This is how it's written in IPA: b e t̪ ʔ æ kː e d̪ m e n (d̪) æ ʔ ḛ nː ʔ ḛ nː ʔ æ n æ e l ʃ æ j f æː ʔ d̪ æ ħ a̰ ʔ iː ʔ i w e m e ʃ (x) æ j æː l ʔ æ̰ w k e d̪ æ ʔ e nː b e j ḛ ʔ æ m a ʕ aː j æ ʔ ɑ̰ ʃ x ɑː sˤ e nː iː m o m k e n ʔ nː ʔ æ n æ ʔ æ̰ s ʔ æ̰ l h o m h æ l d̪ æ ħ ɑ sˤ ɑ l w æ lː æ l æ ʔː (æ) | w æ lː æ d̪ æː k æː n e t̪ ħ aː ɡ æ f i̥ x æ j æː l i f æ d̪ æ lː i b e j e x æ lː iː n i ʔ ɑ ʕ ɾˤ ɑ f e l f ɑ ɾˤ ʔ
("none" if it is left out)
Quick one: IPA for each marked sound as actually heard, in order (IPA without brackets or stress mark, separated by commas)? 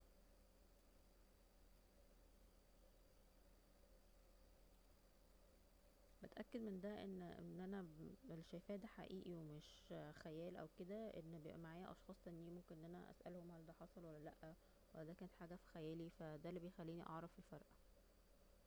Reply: d̪, x, æ